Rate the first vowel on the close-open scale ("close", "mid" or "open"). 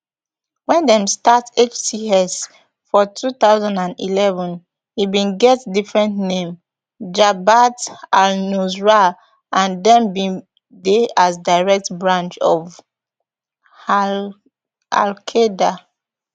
mid